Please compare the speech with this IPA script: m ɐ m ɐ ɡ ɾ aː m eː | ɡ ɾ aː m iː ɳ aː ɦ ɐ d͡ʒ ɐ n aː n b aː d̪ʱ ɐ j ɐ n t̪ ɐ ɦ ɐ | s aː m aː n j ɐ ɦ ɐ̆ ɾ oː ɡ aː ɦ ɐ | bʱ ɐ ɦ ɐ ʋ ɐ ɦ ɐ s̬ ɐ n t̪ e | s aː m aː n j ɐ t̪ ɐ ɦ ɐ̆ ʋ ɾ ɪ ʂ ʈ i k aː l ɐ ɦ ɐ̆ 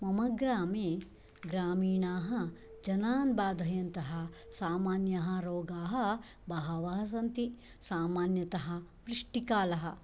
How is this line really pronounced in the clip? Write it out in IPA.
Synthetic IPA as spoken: m ɐ m ɐ ɡ ɾ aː m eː | ɡ ɾ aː m iː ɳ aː ɦ ɐ d͡ʒ ɐ n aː n b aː d̪ʱ ɐ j ɐ n t̪ ɐ ɦ ɐ | s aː m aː n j ɐ ɦ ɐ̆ ɾ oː ɡ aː ɦ ɐ | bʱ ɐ ɦ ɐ ʋ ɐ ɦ ɐ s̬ ɐ n t̪ i | s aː m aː n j ɐ t̪ ɐ ɦ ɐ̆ ʋ ɾ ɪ ʂ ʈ i k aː l ɐ ɦ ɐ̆